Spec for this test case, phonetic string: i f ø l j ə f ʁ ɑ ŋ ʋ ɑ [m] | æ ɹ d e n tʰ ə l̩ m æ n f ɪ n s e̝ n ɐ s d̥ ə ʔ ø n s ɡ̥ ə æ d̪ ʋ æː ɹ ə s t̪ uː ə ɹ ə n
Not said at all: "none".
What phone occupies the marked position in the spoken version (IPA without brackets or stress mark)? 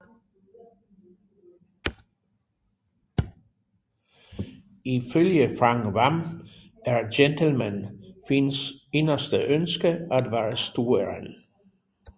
m